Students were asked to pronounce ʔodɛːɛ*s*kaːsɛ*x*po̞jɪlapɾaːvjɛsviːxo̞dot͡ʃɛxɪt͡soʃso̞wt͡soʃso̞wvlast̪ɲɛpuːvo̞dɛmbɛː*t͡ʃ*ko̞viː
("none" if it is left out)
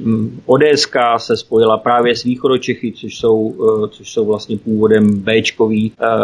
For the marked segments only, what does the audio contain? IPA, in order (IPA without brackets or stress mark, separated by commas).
s, s, t͡ʃ